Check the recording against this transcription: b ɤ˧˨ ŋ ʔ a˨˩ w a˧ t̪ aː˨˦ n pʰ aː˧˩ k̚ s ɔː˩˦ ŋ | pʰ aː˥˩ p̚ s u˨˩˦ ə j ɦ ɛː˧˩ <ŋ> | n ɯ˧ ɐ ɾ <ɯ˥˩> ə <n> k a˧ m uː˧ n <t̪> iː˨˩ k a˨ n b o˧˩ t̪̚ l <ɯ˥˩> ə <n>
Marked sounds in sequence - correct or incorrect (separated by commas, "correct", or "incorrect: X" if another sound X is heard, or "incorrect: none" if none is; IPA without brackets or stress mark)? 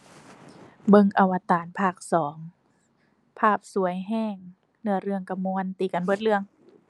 correct, incorrect: ɯ˧, incorrect: ŋ, correct, incorrect: ɯ˧, incorrect: ŋ